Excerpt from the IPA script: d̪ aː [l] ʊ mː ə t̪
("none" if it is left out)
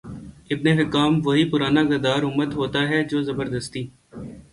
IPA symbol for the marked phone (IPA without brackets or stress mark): ɾ